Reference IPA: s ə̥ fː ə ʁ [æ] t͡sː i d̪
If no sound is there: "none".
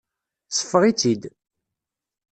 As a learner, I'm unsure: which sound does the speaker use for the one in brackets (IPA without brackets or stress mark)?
i